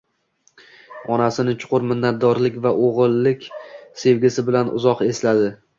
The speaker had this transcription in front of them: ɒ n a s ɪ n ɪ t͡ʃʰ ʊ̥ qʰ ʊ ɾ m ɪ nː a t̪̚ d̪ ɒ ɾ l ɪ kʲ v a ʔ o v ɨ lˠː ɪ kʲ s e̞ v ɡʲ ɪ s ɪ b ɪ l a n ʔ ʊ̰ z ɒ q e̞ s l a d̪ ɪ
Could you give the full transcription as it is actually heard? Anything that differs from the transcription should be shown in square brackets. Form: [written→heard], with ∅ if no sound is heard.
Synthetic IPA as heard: ɒ n a s ɪ n ɪ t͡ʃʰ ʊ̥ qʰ ʊ ɾ m ɪ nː a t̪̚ d̪ ɒ ɾ l ɪ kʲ v a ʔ o [v→ʁ] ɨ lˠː ɪ kʲ s e̞ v ɡʲ ɪ s ɪ b ɪ l a n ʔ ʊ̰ z ɒ q e̞ s l a d̪ ɪ